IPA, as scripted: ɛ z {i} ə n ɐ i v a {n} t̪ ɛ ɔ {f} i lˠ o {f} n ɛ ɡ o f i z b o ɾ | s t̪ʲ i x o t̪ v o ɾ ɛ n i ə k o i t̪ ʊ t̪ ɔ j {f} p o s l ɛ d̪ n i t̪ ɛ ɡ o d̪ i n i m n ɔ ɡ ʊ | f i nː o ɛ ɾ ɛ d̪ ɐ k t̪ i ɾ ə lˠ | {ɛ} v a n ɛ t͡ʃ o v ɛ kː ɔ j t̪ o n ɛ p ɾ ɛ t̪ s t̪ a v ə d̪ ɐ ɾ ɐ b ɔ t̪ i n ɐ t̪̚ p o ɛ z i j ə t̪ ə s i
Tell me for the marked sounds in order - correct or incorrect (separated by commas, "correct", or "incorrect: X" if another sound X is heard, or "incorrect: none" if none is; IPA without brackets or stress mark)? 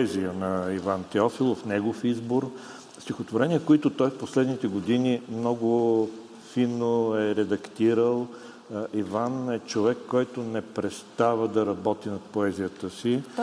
correct, correct, correct, correct, correct, incorrect: i